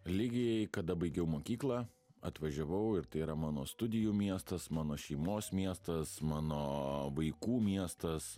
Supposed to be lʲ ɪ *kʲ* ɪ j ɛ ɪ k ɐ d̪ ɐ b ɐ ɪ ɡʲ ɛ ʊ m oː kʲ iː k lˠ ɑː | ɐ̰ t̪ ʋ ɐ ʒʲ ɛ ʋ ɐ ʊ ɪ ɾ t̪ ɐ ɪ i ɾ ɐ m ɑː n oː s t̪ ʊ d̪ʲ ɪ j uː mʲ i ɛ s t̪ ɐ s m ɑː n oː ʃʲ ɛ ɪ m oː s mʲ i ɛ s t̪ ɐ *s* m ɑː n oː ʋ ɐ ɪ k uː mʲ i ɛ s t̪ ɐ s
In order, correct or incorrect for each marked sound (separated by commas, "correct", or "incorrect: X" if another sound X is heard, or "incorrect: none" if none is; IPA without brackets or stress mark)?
incorrect: ɡʲ, correct